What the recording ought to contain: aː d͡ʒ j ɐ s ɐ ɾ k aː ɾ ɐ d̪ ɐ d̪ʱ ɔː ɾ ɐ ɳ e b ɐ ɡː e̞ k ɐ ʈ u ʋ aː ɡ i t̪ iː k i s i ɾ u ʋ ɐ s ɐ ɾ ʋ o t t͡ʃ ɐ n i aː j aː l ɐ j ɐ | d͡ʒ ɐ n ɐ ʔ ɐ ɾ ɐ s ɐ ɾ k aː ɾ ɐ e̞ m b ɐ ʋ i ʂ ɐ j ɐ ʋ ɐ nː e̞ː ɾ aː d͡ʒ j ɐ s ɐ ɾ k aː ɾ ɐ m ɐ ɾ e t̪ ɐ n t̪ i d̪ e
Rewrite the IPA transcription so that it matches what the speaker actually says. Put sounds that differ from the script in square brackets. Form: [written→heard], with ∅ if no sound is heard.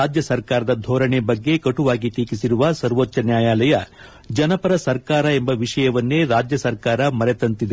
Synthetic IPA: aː d͡ʒ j ɐ s ɐ ɾ k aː ɾ ɐ d̪ ɐ d̪ʱ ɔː ɾ ɐ ɳ e b ɐ ɡː e̞ k ɐ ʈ u ʋ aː ɡ i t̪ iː k i s i ɾ u ʋ ɐ s ɐ ɾ ʋ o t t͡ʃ ɐ n [i→j] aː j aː l ɐ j ɐ | d͡ʒ ɐ n ɐ [ʔ→p] ɐ ɾ ɐ s ɐ ɾ k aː ɾ ɐ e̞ m b ɐ ʋ i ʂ ɐ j ɐ ʋ ɐ nː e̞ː ɾ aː d͡ʒ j ɐ s ɐ ɾ k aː ɾ ɐ m ɐ ɾ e t̪ ɐ n t̪ i d̪ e

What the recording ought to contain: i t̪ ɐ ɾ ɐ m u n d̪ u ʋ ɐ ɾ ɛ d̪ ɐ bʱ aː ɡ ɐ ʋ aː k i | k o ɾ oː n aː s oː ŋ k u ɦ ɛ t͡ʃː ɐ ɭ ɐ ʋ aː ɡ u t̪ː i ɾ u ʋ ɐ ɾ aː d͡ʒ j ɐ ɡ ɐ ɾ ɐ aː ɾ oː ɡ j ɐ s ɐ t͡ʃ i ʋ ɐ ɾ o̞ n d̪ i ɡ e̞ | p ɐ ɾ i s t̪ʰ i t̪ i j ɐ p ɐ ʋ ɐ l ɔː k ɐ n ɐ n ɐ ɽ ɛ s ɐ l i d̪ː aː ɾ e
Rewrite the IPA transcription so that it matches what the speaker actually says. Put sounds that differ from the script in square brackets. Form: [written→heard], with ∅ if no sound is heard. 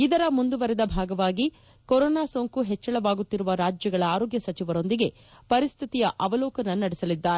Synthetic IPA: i [t̪→d̪] ɐ ɾ ɐ m u n d̪ u ʋ ɐ ɾ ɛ d̪ ɐ bʱ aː ɡ ɐ ʋ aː [k→ɡ] i | k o ɾ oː n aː s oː ŋ k u ɦ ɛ t͡ʃː ɐ ɭ ɐ ʋ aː ɡ u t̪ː i ɾ u ʋ ɐ ɾ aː d͡ʒ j ɐ ɡ ɐ [ɾ→ɭ] ɐ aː ɾ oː ɡ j ɐ s ɐ t͡ʃ i ʋ ɐ ɾ o̞ n d̪ i ɡ e̞ | p ɐ ɾ i s t̪ʰ i t̪ i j ɐ [p→ʔ] ɐ ʋ ɐ l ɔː k ɐ n ɐ n ɐ ɽ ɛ s ɐ l i d̪ː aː ɾ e

